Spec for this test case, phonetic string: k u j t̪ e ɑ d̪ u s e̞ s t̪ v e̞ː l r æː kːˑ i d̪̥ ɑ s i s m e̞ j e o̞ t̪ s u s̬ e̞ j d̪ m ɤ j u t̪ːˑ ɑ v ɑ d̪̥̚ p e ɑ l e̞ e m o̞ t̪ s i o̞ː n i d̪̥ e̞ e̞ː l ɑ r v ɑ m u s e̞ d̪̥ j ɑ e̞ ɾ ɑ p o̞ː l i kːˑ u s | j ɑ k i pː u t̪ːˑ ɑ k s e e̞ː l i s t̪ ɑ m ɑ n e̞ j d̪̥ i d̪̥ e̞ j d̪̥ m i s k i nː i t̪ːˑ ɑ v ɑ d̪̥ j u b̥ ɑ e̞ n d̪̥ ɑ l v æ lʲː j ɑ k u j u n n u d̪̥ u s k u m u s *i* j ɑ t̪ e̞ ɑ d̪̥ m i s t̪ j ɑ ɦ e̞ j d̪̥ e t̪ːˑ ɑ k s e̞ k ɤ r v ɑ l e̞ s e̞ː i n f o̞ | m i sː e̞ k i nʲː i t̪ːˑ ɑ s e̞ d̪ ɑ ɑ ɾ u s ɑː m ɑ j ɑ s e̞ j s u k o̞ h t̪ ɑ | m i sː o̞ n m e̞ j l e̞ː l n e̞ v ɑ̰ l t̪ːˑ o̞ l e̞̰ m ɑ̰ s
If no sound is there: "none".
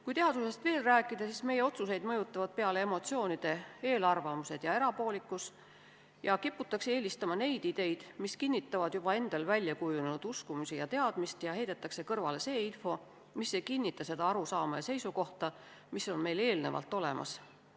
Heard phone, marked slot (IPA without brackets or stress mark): i